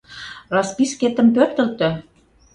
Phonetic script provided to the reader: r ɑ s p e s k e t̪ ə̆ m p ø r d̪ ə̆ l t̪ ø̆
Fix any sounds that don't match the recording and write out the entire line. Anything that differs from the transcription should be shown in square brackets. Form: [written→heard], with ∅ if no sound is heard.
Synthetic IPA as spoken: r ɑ s p [e→i] s k e t̪ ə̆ m p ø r [d̪→t̪] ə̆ l t̪ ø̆